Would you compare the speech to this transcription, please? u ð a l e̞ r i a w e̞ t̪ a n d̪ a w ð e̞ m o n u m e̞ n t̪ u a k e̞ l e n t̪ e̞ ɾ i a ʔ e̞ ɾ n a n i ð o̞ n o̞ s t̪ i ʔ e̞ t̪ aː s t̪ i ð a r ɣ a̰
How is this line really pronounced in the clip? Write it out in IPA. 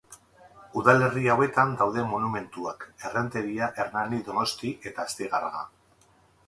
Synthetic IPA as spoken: u ð a l e̞ r i a w e̞ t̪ a n d̪ a w ð e̞ m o n u m e̞ n t̪ u a k e̞ r e n t̪ e̞ ɾ i a ʔ e̞ ɾ n a n i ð o̞ n o̞ s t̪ i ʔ e̞ t̪ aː s t̪ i ɣ a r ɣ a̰

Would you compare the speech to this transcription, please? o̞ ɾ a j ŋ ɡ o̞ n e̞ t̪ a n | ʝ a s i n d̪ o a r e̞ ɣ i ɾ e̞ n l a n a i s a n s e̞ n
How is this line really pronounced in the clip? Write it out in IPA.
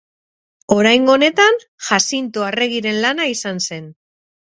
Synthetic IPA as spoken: o̞ ɾ a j ŋ ɡ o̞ n e̞ t̪ a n | ʝ a s i n t̪ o a r e̞ ɣ i ɾ e̞ n l a n a i s a n s e̞ n

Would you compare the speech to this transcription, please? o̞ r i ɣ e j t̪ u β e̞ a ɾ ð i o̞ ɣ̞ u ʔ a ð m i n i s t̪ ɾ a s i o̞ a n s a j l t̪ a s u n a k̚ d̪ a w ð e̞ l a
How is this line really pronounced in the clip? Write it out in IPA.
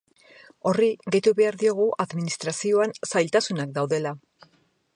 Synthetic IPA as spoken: o̞ r i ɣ e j t̪ u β e̞ a ɾ ð i o̞ ɣ̞ u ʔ a ð m i n i s t̪ ɾ a s i o̞ a n s a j l t̪ a s u n a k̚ d̪ a w ð e̞ l a

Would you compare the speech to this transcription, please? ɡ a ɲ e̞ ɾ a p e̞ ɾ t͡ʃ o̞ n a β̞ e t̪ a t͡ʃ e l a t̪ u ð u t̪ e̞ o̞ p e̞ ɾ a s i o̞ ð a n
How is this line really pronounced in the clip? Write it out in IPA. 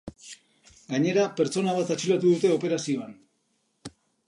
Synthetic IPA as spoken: ɡ a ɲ e̞ ɾ a p e̞ ɾ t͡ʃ o̞ n a β̞ a t̪ a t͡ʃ i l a t̪ u ð u t̪ e̞ o̞ p e̞ ɾ a s i o̞ a n

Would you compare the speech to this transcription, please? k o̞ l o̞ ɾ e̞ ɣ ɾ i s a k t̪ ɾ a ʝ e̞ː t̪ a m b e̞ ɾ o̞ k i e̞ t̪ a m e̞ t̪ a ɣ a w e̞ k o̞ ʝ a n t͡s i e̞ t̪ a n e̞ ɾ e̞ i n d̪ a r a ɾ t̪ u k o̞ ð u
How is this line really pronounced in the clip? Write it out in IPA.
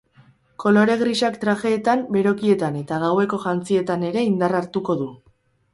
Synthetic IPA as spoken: k o̞ l o̞ ɾ e̞ ɣ ɾ i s a k t̪ ɾ a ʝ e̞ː t̪ a m b e̞ ɾ o̞ k i e̞ t̪ a n e̞ t̪ a ɣ a w e̞ k o̞ ʝ a n t͡s i e̞ t̪ a n e̞ ɾ e̞ i n d̪ a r a ɾ t̪ u k o̞ ð u

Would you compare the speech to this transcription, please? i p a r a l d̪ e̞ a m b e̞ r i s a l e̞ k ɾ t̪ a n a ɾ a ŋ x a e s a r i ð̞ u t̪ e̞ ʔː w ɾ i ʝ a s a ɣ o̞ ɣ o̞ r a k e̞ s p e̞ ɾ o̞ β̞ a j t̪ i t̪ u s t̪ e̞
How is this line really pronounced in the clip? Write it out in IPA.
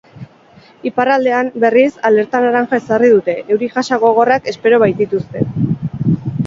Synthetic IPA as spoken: i p a r a l d̪ e̞ a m b e̞ r i s a l e̞ ɾ t̪ a n a ɾ a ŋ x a e s a r i ð̞ u t̪ e̞ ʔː w ɾ i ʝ a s a ɣ o̞ ɣ o̞ r a k e̞ s p e̞ ɾ o̞ β̞ a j t̪ i t̪ u s t̪ e̞

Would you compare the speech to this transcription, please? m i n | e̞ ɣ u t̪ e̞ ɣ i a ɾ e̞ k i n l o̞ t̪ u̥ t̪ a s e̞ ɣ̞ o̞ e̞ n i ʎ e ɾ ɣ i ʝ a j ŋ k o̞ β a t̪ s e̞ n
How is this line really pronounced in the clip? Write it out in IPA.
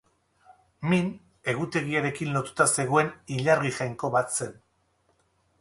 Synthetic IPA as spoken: m i n | e̞ ɣ u t̪ e̞ ɣ i a ɾ e̞ k i n l o̞ t̪ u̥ t̪ a s e̞ ɣ̞ o̞ e̞ n i ʎ a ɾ ɣ i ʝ a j ŋ k o̞ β a t̪ s e̞ n

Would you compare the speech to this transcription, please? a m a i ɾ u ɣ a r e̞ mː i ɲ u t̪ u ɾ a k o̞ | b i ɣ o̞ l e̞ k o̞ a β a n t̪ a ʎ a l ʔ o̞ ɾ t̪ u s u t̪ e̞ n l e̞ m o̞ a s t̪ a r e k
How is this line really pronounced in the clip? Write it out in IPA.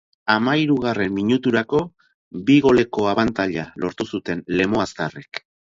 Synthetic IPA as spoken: a m a i ɾ u ɣ a r e̞ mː i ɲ u t̪ u ɾ a k o̞ | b i ɣ o̞ l e̞ k o̞ a β a n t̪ a ʎ a l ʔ o̞ ɾ t̪ u s u t̪ e̞ n l e̞ m o̞ a s t̪ a r e k

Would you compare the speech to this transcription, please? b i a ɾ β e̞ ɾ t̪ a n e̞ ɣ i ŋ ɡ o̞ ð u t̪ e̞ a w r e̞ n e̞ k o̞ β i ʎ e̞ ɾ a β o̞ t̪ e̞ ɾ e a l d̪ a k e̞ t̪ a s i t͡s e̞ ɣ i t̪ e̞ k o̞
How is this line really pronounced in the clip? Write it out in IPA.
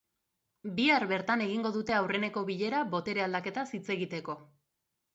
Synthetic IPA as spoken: b i a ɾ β e̞ ɾ t̪ a n e̞ ɣ i ŋ ɡ o̞ ð u t̪ e̞ a w r e̞ n e̞ k o̞ β i ʎ e̞ ɾ a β o̞ t̪ e̞ ɾ e a l d̪ a k e̞ t̪ a s i t͡s e̞ ɣ i t̪ e̞ k o̞

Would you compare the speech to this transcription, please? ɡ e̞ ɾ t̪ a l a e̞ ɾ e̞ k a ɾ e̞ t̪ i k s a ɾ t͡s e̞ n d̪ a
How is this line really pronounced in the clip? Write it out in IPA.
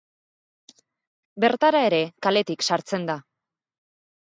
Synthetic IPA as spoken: b e̞ ɾ t̪ a ɾ a e̞ ɾ e̞ k a l e̞ t̪ i k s a ɾ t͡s e̞ n d̪ a

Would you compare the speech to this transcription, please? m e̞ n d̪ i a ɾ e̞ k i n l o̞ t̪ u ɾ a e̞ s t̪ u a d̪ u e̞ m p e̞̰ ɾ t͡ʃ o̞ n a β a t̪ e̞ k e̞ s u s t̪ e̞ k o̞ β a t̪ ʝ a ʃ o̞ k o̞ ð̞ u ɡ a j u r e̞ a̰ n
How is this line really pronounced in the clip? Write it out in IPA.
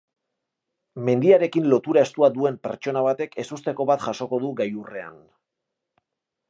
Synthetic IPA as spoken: m e̞ n d̪ i a ɾ e̞ k i n l o̞ t̪ u ɾ a e̞ s t̪ u a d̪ u e̞ m p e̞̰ ɾ t͡ʃ o̞ n a β a t̪ e̞ k e̞ s u s t̪ e̞ k o̞ β a t̪ ʝ a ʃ o̞ k o̞ ð̞ u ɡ a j u r e̞ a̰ n

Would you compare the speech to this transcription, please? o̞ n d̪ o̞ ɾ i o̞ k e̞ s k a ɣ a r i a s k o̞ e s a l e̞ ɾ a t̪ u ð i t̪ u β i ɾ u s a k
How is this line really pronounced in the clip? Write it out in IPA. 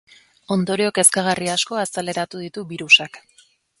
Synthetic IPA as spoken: o̞ n d̪ o̞ ɾ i o̞ k e̞ s k a ɣ a r i a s k o̞ a s a l e̞ ɾ a t̪ u ð i t̪ u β i ɾ u s a k

